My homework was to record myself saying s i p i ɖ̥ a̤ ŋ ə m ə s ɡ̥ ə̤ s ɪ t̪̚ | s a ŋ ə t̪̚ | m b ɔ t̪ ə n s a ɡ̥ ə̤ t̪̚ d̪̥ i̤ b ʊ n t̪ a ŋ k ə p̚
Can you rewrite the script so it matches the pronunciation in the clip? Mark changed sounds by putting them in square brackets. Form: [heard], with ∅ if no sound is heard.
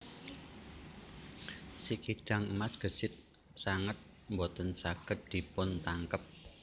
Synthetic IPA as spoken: s i [k] i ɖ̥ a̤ ŋ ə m [a] s ɡ̥ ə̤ s ɪ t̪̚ | s a ŋ ə t̪̚ | m b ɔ t̪ ə n s a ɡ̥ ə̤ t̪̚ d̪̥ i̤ [p] ʊ n t̪ a ŋ k ə p̚